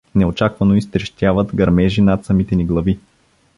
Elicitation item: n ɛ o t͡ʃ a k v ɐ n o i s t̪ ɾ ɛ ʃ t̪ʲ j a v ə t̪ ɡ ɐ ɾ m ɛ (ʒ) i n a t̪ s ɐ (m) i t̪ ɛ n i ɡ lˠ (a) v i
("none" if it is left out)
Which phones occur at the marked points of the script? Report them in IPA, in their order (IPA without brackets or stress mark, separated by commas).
ʒ, m, ɐ